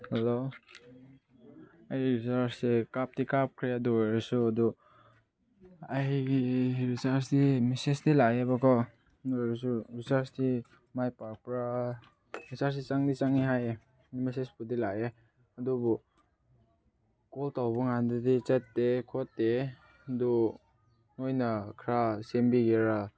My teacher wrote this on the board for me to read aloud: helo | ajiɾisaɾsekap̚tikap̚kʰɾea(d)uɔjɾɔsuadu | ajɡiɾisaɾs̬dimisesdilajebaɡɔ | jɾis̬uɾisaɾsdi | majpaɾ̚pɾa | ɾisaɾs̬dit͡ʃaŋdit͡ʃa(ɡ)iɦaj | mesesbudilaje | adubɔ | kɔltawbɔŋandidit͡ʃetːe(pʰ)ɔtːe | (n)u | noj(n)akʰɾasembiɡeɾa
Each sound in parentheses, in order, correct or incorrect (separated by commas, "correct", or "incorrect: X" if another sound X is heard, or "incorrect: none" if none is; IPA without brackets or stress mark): correct, incorrect: ŋ, incorrect: kʰ, incorrect: d, correct